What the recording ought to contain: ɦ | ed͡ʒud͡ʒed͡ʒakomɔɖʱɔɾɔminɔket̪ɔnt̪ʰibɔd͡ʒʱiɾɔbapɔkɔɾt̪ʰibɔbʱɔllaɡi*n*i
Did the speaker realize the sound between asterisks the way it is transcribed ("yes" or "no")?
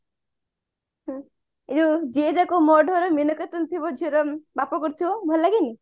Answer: yes